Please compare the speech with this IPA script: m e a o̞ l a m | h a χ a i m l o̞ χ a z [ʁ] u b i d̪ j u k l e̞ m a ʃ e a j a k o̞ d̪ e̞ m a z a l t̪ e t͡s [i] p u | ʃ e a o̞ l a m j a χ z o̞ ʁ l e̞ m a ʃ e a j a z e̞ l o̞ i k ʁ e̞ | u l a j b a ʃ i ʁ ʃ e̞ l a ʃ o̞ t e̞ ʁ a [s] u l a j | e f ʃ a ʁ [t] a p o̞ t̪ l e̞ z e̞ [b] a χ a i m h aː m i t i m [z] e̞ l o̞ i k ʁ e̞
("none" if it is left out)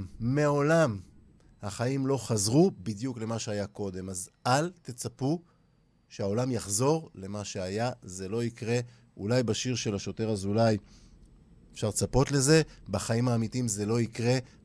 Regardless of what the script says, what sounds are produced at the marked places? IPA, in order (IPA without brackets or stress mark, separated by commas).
ʁ, a, z, t͡s, b, z